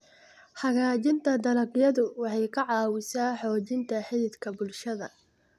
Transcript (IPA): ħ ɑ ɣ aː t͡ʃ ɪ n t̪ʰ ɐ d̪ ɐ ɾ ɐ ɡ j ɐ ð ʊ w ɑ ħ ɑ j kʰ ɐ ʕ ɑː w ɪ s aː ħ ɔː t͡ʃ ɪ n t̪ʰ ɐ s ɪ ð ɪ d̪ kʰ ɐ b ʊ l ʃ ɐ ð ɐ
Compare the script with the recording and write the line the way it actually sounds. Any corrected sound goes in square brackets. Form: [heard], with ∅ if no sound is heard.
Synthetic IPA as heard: ħ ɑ ɣ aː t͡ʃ ɪ n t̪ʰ ɐ d̪ ɐ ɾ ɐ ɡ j ɐ ð ʊ w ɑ ħ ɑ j kʰ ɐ ʕ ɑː w ɪ s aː ħ ɔː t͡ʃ ɪ n t̪ʰ ɐ [ħ] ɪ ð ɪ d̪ kʰ ɐ b ʊ l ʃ ɐ ð ɐ